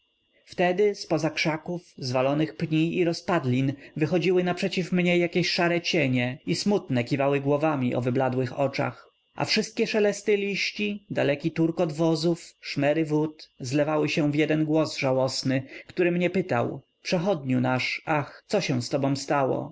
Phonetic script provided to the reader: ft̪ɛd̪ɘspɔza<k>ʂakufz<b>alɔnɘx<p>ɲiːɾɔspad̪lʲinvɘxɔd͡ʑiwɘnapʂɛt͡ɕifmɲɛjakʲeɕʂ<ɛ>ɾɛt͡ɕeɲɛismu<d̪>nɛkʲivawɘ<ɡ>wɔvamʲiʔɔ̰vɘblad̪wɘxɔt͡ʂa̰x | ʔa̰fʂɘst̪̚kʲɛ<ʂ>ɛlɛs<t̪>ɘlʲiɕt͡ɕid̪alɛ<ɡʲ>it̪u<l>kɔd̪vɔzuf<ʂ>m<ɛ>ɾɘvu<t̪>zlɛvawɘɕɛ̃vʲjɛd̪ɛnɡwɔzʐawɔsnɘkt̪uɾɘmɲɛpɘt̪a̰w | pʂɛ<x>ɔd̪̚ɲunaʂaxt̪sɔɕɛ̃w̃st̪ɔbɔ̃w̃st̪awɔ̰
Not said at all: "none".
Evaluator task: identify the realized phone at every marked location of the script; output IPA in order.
k, v, p, a, t̪, ɡ, ʂ, t̪, kʲ, ɾ, ʂ, ɛ, t̪, x

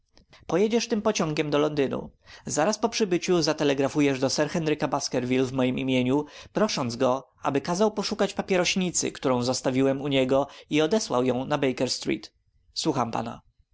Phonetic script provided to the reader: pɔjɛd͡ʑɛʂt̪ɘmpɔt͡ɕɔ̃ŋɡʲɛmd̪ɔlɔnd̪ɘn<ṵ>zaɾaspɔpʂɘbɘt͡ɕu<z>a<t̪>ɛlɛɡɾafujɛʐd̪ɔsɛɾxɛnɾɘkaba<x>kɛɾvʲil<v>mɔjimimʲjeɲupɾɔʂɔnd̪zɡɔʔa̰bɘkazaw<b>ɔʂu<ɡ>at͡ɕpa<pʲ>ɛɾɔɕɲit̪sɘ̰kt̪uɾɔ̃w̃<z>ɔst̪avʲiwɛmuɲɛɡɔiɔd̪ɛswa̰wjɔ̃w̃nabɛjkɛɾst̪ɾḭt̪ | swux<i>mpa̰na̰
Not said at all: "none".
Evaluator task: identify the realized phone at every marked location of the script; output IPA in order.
ṵ, z, t̪, s, v, p, k, pʲ, z, a

